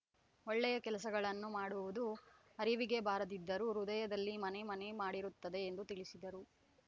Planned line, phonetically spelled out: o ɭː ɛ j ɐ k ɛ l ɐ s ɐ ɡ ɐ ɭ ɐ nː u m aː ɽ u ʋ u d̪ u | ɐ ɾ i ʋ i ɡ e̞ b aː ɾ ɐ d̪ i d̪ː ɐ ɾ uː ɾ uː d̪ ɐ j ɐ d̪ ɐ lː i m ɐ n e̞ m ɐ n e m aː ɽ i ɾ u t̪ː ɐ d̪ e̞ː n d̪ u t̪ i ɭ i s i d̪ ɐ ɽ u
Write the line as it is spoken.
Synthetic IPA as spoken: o ɭː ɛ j ɐ k ɛ l ɐ s ɐ ɡ ɐ ɭ ɐ nː u m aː ɽ u ʋ u d̪ u | ɐ ɾ i ʋ i ɡ e̞ b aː ɾ ɐ d̪ i d̪ː ɐ ɾ u ɾ u d̪ ɐ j ɐ d̪ ɐ lː i m ɐ n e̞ m ɐ n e m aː ɽ i ɾ u t̪ː ɐ d̪ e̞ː n d̪ u t̪ i ɭ i s i d̪ ɐ ɾ u